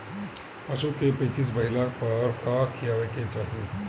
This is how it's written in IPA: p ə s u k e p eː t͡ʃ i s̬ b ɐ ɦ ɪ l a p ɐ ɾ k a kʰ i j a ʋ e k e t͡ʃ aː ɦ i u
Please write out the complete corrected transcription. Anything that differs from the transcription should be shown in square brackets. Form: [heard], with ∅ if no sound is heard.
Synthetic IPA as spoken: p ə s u k e p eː t͡ʃ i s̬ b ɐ ɦ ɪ l a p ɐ ɾ k a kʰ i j a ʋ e k e t͡ʃ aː ɦ i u